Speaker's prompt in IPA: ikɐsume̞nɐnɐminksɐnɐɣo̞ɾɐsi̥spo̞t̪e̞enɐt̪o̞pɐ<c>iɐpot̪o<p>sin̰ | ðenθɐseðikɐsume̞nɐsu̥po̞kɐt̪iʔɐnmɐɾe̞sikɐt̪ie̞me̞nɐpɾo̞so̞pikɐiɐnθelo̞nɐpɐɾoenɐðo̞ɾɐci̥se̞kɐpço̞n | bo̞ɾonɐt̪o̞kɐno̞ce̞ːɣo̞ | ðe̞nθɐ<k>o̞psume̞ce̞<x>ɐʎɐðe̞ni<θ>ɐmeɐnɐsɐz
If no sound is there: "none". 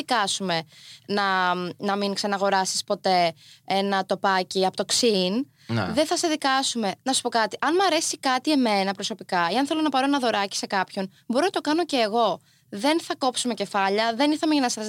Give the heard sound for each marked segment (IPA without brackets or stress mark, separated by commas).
c, k, k, f, θ